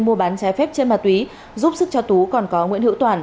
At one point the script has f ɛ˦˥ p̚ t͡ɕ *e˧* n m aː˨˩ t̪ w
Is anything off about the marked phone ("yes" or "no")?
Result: no